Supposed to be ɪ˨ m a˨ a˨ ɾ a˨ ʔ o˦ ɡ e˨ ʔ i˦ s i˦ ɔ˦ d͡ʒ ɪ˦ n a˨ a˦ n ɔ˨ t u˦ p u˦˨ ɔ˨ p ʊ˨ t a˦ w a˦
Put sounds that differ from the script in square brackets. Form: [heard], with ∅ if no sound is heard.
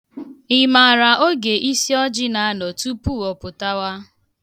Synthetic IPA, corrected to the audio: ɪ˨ m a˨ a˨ ɾ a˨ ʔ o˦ ɡ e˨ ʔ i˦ s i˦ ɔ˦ d͡ʒ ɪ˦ n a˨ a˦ n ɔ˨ t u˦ p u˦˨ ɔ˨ p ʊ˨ t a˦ w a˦